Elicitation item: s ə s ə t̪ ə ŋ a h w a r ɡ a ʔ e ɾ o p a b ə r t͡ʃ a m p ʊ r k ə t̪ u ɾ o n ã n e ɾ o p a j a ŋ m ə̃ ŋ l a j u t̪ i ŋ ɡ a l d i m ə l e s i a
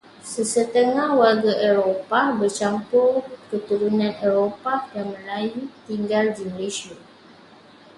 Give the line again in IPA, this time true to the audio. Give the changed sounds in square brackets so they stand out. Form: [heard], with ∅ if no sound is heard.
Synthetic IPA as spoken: s ə s ə t̪ ə ŋ a h w a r ɡ a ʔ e ɾ o p a b ə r t͡ʃ a m p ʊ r k ə t̪ u ɾ [u] n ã n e ɾ o p a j a ŋ m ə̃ [∅] l a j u t̪ i ŋ ɡ a l d i m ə l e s i a